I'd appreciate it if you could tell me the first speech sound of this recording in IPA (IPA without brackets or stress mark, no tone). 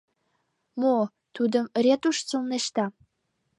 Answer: m